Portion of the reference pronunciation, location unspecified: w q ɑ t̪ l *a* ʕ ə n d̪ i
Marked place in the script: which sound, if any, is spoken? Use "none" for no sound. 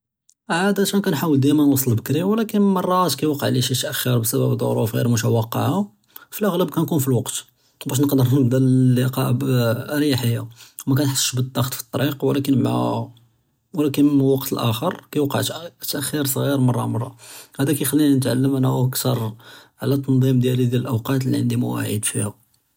i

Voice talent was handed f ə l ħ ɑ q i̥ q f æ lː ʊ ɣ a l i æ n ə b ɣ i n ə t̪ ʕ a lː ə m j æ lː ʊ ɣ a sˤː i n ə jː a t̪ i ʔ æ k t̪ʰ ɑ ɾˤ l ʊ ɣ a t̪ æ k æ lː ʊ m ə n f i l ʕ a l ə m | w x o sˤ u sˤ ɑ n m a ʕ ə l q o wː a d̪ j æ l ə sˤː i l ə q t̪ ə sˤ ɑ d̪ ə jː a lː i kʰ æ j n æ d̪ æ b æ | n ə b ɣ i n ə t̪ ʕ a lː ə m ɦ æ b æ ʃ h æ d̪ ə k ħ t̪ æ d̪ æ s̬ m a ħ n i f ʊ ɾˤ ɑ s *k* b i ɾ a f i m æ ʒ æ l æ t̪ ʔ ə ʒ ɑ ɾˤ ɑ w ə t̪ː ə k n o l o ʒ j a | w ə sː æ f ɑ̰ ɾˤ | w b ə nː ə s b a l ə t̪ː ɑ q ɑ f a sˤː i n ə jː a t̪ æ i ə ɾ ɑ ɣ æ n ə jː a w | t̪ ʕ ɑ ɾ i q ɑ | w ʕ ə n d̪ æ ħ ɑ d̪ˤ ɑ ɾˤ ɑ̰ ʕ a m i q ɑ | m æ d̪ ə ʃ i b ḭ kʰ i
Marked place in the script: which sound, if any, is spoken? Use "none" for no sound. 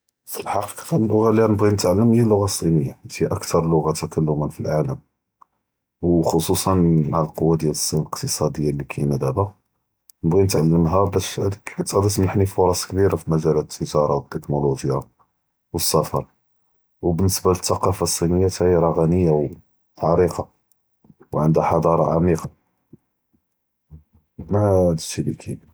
k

